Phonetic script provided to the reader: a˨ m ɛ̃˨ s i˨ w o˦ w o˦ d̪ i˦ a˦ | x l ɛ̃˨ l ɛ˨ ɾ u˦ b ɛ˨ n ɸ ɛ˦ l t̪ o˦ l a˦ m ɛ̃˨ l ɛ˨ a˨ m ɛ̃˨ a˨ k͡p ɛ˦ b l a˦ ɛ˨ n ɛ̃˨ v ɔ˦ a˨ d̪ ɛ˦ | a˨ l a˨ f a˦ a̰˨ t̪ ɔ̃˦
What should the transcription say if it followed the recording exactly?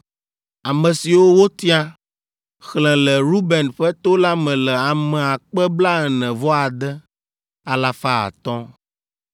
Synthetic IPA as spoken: a˨ m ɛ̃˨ s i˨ w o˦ w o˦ t̪ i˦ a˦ | x l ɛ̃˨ l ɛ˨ ɾ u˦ b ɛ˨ n ɸ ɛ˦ t̪ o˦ l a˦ m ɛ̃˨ l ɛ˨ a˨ m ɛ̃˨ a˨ k͡p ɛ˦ b l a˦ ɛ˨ n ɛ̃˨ v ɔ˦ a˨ d̪ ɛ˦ | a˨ l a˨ f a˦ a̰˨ t̪ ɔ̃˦